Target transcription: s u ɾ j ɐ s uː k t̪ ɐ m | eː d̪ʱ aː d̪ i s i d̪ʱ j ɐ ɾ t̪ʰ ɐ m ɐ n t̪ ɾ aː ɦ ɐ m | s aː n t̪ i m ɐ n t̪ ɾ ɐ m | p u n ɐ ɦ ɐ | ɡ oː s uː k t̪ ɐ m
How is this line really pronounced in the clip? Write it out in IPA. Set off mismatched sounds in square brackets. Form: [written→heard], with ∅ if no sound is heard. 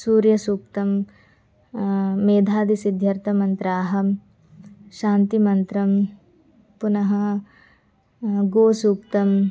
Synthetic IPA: s [u→uː] ɾ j ɐ s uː k t̪ ɐ m | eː d̪ʱ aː d̪ i s i d̪ʱ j ɐ ɾ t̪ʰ ɐ m ɐ n t̪ ɾ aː ɦ ɐ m | [s→ʃ] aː n t̪ i m ɐ n t̪ ɾ ɐ m | p u n ɐ ɦ ɐ | ɡ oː s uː k t̪ ɐ m